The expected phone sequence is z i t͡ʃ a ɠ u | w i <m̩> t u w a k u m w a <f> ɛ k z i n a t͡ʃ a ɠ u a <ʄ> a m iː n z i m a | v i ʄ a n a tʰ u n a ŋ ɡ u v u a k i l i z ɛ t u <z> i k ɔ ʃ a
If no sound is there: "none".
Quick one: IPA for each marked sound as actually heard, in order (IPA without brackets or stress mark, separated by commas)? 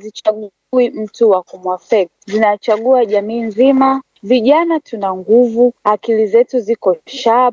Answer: m̩, f, ʄ, z